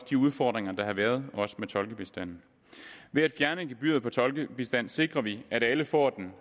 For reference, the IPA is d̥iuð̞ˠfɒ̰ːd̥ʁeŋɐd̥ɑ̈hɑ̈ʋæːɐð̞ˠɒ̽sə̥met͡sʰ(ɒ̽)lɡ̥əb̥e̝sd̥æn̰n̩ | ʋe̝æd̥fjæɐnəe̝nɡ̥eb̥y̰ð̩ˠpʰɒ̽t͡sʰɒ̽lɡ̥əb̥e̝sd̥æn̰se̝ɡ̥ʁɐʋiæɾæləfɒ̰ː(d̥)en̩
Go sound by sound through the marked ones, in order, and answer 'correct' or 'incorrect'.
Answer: correct, correct

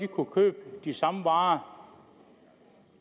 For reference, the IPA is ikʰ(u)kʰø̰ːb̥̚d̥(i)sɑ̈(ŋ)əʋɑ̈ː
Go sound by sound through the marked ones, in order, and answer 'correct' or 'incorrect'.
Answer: correct, correct, incorrect

